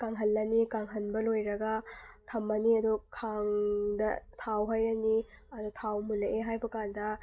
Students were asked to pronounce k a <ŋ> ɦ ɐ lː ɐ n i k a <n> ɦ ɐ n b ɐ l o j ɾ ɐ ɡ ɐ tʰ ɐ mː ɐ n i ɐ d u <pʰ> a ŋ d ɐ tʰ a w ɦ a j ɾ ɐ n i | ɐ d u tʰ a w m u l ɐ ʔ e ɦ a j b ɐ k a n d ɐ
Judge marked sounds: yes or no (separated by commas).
yes, no, no